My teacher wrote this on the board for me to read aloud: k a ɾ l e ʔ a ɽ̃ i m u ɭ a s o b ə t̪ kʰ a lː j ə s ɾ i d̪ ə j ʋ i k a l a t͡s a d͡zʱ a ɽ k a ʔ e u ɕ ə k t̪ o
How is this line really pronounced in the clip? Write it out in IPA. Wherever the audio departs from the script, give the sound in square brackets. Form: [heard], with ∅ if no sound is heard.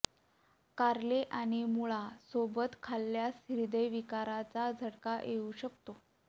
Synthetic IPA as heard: k a ɾ l e ʔ a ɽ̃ i m u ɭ a s o b ə t̪ kʰ a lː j [a] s ɾ i d̪ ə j ʋ i k a [ɾ] a t͡s a d͡zʱ [ə] ɽ k a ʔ e u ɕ ə k t̪ o